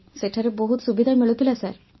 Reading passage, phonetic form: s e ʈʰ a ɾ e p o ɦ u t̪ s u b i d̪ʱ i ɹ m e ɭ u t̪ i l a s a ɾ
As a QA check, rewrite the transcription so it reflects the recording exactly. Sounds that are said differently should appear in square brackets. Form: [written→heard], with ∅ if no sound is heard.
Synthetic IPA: s e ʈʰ a ɾ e [p→b] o ɦ u t̪ s u b i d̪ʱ [i→a] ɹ m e ɭ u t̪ i l a s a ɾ